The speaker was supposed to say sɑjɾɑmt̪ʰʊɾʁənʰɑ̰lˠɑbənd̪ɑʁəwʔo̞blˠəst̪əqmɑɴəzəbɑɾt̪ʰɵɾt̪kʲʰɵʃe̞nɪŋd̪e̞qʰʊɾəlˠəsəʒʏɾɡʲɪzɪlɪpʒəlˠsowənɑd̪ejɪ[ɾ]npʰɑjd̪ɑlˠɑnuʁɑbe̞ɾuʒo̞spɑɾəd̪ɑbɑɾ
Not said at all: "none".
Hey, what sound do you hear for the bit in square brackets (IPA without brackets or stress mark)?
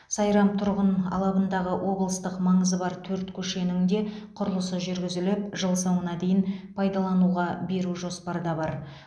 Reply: none